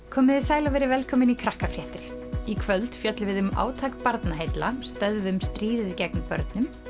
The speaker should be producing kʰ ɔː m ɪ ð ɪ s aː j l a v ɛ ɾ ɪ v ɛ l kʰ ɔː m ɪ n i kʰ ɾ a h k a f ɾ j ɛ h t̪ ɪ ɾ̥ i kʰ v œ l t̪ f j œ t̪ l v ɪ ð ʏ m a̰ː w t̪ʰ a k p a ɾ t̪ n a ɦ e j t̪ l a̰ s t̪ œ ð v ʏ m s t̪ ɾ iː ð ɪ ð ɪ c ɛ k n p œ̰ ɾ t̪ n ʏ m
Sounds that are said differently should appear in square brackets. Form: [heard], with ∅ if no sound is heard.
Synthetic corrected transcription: kʰ ɔː m ɪ ð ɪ s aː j l a v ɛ ɾ ɪ v ɛ l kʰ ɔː m ɪ n i kʰ ɾ a h k a f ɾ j ɛ h t̪ ɪ ɾ̥ i kʰ v œ l t̪ f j œ t̪ l v ɪ ð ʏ m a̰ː w t̪ʰ a k p a ɾ t̪ n a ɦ e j t̪ l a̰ s t̪ œ ð v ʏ m s t̪ ɾ iː ð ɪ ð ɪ c ɛ k n p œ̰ ɾ t̪ n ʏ m